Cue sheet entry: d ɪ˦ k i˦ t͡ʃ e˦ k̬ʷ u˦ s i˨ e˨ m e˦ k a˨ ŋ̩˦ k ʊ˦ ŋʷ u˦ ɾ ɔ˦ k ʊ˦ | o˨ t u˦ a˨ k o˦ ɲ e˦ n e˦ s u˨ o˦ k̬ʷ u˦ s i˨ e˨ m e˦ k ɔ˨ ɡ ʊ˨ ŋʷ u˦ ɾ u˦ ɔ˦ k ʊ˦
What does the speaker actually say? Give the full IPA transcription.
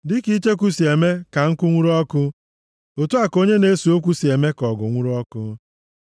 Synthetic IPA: d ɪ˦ k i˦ t͡ʃ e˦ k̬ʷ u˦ s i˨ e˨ m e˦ k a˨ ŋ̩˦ k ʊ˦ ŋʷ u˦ ɾ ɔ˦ k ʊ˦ | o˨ t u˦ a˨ k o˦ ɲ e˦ n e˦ s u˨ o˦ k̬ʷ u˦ s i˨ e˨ m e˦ k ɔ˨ ɡ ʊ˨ ŋʷ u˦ ɾ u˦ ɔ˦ k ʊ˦